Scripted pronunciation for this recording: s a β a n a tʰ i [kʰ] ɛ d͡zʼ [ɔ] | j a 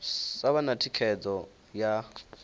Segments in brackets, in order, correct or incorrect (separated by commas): correct, correct